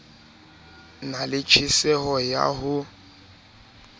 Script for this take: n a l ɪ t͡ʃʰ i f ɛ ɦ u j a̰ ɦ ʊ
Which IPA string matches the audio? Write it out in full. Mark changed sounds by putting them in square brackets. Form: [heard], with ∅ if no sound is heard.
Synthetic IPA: n a l ɪ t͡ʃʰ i [s] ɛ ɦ [ɔ] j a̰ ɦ ʊ